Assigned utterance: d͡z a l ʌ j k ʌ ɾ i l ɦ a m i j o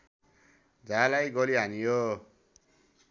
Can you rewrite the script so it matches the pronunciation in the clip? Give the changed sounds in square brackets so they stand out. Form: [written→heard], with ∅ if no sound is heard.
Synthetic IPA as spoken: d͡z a l [ʌ→a] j [k→ɡ] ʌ [ɾ→l] i [l→∅] ɦ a [m→n] i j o